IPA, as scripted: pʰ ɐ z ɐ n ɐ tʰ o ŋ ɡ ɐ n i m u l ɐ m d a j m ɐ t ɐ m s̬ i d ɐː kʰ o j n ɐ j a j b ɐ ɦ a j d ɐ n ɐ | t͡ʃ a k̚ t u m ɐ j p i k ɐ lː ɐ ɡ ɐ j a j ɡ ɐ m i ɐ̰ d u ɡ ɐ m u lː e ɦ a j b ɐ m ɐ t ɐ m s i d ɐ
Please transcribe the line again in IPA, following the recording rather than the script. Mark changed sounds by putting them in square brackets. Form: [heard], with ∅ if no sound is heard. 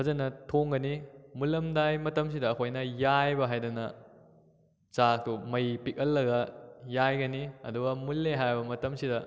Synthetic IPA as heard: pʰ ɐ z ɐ n ɐ tʰ o ŋ ɡ ɐ n i m u l ɐ m d a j m ɐ t ɐ m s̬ i d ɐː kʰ o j n ɐ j a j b ɐ ɦ a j d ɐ n ɐ | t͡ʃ a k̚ t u m ɐ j p i k ɐ lː ɐ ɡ ɐ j a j ɡ ɐ [n] i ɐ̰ d u ɡ ɐ m u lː e ɦ a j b ɐ m ɐ t ɐ m s i d ɐ